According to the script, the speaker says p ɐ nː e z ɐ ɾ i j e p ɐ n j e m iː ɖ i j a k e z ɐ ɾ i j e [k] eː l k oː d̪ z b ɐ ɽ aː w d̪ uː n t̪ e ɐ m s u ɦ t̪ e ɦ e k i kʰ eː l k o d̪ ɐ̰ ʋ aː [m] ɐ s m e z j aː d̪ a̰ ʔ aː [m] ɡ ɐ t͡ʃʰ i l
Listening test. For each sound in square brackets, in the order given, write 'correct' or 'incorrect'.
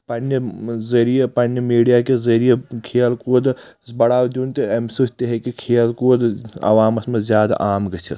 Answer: incorrect, correct, correct

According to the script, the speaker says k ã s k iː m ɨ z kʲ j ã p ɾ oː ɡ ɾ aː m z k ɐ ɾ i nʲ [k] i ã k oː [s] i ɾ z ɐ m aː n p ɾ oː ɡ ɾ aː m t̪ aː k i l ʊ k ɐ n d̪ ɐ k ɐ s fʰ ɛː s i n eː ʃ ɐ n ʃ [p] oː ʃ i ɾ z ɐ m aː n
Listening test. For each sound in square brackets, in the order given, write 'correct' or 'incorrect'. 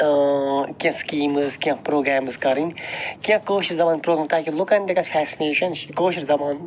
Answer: correct, incorrect, incorrect

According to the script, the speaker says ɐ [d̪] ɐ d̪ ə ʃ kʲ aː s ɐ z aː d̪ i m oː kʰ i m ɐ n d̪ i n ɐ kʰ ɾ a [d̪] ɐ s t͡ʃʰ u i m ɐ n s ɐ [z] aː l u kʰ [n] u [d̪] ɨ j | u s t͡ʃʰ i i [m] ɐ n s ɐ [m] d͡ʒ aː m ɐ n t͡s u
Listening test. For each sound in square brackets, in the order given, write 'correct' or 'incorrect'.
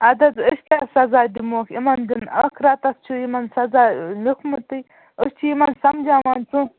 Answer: correct, incorrect, correct, incorrect, incorrect, correct, correct

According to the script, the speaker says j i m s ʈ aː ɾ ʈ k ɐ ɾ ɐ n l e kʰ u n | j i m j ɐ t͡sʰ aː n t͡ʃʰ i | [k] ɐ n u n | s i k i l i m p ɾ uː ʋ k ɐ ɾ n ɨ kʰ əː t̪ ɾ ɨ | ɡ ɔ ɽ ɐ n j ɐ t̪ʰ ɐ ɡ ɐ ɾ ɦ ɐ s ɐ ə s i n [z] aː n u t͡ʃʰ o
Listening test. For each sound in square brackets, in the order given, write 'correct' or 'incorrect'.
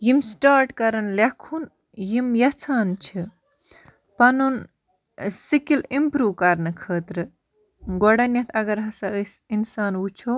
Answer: incorrect, incorrect

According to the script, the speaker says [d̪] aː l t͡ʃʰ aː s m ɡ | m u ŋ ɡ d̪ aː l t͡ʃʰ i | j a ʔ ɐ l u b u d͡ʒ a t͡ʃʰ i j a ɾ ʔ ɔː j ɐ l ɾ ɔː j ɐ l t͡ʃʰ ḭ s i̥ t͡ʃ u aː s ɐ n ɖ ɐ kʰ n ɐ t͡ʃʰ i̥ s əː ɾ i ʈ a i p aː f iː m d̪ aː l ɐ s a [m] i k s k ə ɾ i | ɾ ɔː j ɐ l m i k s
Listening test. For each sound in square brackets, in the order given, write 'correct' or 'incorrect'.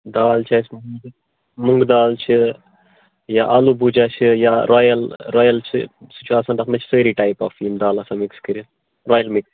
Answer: correct, correct

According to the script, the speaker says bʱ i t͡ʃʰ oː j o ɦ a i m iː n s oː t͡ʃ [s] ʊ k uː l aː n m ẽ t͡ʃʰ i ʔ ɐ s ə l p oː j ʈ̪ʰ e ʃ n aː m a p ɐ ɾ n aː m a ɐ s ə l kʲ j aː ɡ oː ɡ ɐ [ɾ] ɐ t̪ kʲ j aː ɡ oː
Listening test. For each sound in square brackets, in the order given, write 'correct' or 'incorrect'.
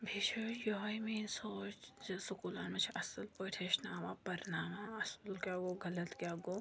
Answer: correct, incorrect

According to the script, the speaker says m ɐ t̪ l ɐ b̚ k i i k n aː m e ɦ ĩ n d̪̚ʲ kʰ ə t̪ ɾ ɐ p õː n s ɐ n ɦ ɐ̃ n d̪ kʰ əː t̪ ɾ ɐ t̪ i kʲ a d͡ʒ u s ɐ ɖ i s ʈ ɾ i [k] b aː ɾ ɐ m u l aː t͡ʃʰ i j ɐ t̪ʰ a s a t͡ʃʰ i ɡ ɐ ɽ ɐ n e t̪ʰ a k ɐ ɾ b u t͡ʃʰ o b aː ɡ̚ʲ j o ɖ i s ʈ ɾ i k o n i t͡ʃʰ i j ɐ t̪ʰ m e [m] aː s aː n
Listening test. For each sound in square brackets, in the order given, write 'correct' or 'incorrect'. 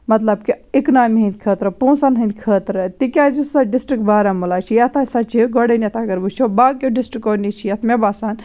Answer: correct, incorrect

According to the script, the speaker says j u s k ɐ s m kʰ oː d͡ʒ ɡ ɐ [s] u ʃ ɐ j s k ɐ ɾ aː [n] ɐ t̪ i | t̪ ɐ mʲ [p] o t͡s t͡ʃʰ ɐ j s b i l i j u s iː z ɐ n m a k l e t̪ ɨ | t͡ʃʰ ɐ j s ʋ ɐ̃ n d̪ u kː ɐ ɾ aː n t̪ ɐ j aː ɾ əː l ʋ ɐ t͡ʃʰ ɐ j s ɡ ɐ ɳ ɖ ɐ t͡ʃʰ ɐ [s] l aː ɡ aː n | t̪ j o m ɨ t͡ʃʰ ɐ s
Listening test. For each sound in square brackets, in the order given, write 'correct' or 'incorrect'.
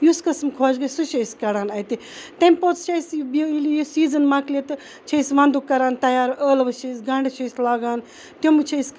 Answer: correct, correct, correct, correct

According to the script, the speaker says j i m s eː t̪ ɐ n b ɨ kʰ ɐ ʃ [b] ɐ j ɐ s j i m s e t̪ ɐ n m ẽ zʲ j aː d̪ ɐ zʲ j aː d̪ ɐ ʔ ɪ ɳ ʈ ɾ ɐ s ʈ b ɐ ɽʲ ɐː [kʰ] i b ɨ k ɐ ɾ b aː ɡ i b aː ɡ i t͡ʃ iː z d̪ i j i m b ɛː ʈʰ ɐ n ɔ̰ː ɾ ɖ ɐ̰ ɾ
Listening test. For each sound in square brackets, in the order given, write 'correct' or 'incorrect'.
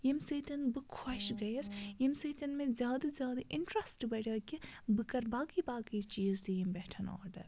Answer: incorrect, incorrect

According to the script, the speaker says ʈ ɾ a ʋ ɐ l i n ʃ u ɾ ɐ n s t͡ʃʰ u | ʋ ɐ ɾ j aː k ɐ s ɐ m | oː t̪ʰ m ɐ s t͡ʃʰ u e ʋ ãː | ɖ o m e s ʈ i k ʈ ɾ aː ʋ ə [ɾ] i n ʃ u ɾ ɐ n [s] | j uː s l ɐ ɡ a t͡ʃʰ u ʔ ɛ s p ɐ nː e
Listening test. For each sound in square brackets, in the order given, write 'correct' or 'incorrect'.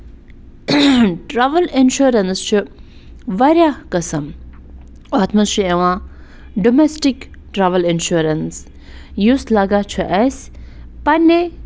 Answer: incorrect, correct

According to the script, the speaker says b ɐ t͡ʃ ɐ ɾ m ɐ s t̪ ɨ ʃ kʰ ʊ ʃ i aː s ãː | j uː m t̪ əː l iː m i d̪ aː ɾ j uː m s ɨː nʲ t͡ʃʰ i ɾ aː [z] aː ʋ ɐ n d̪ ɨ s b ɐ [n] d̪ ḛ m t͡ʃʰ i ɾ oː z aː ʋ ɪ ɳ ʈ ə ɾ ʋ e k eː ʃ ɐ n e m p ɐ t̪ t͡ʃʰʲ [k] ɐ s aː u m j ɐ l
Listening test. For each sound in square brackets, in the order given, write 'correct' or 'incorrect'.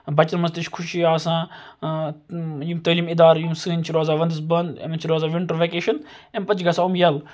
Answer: correct, correct, incorrect

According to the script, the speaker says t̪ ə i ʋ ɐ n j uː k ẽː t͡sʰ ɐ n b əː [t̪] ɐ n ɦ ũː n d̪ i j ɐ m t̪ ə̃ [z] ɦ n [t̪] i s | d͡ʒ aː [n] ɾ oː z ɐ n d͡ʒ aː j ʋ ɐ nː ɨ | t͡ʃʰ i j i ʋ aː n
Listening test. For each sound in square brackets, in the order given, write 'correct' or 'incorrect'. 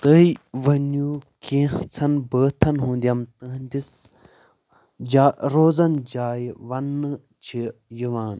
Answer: incorrect, incorrect, incorrect, incorrect

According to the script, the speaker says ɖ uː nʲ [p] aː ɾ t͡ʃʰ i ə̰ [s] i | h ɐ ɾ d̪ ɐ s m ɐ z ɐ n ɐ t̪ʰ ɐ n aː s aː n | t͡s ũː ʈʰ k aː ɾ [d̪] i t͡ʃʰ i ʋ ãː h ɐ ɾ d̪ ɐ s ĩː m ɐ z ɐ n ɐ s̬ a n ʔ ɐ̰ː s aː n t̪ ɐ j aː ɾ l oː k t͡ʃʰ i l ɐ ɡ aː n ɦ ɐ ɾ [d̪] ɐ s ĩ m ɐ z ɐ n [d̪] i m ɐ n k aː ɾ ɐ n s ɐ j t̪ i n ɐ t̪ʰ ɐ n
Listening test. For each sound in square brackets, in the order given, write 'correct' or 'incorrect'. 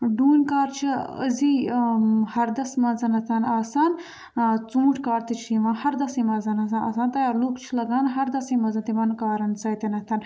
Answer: incorrect, incorrect, incorrect, correct, incorrect

